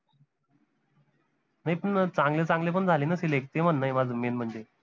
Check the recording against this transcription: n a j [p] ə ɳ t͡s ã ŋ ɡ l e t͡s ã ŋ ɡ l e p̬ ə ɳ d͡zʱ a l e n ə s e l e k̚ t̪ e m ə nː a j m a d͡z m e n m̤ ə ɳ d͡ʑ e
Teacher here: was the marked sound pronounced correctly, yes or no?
yes